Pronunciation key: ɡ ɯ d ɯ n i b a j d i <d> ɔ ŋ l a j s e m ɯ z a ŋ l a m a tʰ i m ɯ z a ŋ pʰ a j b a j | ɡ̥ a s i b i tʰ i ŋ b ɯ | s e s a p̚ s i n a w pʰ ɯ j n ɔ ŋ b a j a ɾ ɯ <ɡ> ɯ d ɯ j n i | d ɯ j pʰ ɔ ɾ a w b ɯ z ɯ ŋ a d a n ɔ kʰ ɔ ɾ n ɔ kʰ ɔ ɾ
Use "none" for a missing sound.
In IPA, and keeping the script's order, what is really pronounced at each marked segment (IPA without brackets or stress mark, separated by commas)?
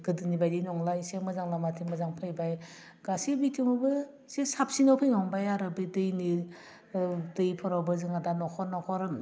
n, b